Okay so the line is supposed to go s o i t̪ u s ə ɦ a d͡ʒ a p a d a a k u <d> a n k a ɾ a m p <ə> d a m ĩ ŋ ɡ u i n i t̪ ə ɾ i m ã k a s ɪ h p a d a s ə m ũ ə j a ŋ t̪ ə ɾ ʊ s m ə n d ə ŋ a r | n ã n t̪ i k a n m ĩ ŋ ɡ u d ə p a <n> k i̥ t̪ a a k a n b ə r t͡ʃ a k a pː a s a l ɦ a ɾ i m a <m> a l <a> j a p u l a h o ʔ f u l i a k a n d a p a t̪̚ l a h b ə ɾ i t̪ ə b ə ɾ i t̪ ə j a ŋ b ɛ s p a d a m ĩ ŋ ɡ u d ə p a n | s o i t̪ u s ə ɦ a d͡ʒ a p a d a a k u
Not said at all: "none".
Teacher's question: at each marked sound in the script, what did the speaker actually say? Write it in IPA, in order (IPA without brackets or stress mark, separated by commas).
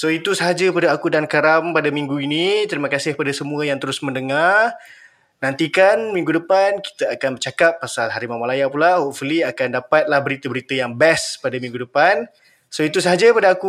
d, a, n, m, a